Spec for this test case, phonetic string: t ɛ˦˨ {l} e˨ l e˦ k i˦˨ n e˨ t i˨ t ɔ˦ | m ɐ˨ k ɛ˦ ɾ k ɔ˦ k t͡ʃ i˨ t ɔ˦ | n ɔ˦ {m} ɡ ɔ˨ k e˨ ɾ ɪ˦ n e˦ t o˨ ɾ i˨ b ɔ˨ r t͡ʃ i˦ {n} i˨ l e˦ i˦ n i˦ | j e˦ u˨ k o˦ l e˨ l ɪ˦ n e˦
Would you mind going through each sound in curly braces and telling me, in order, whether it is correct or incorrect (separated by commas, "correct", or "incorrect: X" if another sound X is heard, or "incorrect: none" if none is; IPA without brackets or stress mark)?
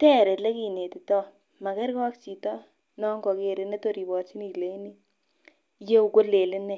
incorrect: ɾ, incorrect: ŋ, correct